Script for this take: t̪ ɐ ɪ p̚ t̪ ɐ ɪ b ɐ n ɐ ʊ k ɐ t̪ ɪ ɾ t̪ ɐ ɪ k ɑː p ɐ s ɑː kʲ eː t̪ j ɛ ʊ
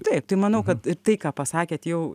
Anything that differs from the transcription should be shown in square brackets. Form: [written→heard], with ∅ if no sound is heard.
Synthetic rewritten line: t̪ ɐ ɪ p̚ t̪ ɐ ɪ [b→m] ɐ n ɐ ʊ k ɐ t̪ ɪ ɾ t̪ ɐ ɪ k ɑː p ɐ s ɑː kʲ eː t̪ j ɛ ʊ